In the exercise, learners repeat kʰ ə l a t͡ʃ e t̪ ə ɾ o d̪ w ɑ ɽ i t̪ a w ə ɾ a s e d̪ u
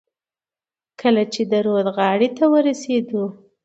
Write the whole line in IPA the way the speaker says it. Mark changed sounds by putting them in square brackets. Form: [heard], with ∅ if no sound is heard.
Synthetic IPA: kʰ ə l a t͡ʃ e [d̪] ə ɾ o d̪ [ɣ] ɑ ɽ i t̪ a w ə ɾ a s e d̪ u

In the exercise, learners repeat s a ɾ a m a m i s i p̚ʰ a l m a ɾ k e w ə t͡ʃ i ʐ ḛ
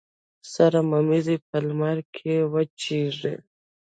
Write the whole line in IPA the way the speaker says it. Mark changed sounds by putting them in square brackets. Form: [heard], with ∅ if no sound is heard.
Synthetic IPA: s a ɾ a m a m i [z] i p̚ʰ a l m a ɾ [kʰ] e w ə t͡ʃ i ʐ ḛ

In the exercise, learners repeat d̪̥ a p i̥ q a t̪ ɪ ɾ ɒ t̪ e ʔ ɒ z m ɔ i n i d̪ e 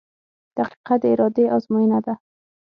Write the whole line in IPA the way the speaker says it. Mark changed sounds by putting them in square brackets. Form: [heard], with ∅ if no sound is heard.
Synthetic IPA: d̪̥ a [q] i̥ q a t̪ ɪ ɾ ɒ [d̪] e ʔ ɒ z m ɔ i n [a] d̪ [a]

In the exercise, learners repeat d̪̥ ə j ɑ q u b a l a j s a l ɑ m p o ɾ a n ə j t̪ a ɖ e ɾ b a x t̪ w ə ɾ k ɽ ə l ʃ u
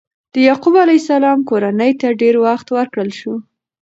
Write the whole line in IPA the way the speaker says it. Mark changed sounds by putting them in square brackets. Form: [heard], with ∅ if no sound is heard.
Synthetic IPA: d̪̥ ə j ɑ q u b a l a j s a l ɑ m [k] o ɾ a n ə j t̪ a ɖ e ɾ [w] a x t̪ w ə ɾ k ɽ ə l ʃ u

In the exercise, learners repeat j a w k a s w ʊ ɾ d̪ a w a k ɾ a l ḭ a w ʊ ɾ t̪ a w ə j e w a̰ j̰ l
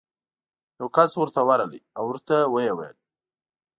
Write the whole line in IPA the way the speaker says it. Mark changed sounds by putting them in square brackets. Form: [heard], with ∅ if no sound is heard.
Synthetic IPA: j a w k a s w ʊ ɾ [t̪] a w a [∅] ɾ a l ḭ a w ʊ ɾ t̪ a w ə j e w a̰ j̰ l

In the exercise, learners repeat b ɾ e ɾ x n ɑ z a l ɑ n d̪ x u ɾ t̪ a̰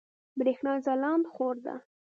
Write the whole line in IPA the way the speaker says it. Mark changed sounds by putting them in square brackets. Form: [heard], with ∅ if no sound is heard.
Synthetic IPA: b ɾ e [∅] x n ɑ z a l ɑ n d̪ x [o] ɾ [d̪] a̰

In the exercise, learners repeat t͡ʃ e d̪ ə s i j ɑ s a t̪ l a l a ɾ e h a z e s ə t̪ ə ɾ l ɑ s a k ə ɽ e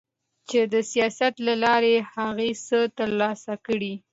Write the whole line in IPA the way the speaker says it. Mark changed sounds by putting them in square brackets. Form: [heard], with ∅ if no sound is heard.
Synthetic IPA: t͡ʃ e d̪ ə s i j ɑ s a t̪ l a l [ɑ] ɾ e h a [ɣ] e s ə t̪ ə ɾ l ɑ s a k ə ɽ [i]

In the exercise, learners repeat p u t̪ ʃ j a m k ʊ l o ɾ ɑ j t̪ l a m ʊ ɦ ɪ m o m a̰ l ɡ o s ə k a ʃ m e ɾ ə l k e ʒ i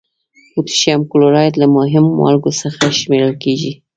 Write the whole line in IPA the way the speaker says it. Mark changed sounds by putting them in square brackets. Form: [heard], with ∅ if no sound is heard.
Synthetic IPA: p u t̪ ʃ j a m k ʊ l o ɾ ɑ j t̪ l a m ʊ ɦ ɪ m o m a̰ l ɡ o s ə [x] a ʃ m e ɾ ə l k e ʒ i

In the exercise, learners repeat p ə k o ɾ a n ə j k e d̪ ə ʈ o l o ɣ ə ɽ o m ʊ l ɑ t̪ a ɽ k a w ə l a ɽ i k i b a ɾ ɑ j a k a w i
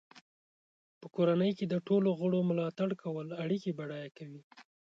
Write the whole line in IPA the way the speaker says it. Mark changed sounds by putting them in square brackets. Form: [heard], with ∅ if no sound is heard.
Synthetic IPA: p ə k o ɾ a n ə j k e d̪ ə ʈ o l o ɣ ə ɽ o m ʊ l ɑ t̪ a ɽ k a w ə l a ɽ i k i b a [ɽ] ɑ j a k a w i

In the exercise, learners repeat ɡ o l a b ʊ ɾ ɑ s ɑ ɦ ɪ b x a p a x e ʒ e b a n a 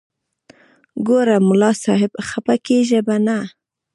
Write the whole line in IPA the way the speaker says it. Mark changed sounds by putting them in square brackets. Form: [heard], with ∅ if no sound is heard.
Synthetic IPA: ɡ o [ɾ] a [m] ʊ [l] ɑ s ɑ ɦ ɪ b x a p a [k] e ʒ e b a n a

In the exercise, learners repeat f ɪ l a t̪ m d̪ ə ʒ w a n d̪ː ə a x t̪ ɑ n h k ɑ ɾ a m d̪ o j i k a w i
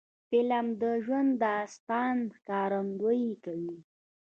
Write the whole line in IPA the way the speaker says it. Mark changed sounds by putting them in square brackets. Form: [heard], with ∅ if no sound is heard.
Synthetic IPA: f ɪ l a [∅] m d̪ ə ʒ w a n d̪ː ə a [s] t̪ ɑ n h k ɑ ɾ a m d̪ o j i k a w i

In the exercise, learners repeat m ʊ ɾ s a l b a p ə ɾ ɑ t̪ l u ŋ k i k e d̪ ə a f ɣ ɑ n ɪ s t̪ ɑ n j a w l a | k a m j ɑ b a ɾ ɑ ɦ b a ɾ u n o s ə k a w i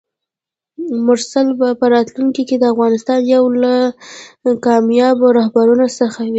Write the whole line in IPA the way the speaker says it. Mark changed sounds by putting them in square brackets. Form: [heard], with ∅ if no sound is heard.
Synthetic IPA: m ʊ ɾ s a l b a p ə ɾ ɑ t̪ l u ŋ k i k e d̪ ə a f ɣ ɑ n ɪ s t̪ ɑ n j a w l a | k [ɑ] m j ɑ b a ɾ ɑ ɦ b a ɾ u n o s ə [x] a w i

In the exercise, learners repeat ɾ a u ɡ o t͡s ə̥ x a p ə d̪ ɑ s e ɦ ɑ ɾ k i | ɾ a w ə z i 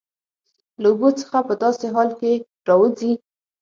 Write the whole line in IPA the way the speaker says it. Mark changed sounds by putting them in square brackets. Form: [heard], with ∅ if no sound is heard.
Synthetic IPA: [l] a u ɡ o t͡s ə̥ x a p ə d̪ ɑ s e ɦ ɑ [l] k [e] | ɾ [ɑ] w ə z i

